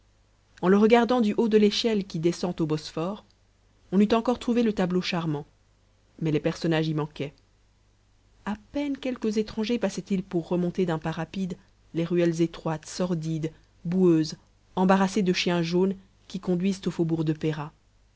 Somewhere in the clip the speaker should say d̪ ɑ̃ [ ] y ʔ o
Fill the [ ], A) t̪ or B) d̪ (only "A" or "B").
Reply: B